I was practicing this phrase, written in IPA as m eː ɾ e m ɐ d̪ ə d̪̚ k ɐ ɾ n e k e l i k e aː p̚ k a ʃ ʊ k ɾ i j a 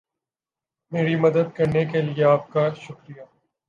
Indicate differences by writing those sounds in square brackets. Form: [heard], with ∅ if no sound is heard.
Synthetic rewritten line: m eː ɾ [i] m ɐ d̪ ə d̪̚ k ɐ ɾ n e k e l i [∅] e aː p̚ k a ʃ ʊ k ɾ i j a